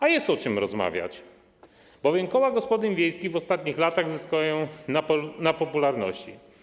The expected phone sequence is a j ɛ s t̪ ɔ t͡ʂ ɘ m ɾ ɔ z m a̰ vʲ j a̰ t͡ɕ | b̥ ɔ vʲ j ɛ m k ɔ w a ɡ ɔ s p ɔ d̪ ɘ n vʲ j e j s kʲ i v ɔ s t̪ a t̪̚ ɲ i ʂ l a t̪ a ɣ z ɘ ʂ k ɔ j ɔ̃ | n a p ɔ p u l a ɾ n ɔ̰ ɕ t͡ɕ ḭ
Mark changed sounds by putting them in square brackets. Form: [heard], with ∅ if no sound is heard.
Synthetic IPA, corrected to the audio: a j ɛ s t̪ ɔ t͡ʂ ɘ m ɾ ɔ z m a̰ vʲ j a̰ t͡ɕ | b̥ ɔ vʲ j ɛ m k ɔ w a ɡ ɔ s p ɔ d̪ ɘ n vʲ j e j s kʲ i v ɔ s t̪ a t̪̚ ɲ i [x] l a t̪ a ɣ z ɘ [s] k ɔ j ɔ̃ | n a p ɔ p u l a ɾ n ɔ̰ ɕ t͡ɕ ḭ